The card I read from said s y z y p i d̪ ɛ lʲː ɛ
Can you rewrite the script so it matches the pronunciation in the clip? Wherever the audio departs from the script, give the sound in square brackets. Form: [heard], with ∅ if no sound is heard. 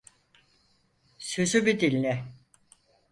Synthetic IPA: s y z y [b] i d̪ [i] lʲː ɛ